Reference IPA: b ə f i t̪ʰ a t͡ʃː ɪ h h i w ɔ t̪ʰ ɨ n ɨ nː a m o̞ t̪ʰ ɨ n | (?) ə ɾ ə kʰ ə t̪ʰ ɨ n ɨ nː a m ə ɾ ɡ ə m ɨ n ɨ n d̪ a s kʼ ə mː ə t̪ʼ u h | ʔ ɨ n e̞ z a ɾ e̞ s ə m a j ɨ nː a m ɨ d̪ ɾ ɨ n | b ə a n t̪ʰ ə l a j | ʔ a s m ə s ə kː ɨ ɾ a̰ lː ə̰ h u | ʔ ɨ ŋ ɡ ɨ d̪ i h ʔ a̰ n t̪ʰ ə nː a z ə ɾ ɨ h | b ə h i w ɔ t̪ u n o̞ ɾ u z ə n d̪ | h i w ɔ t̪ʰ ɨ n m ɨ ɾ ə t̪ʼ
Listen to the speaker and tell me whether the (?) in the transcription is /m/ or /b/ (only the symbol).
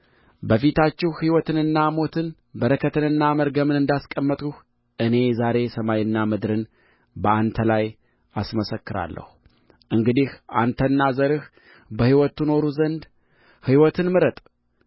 b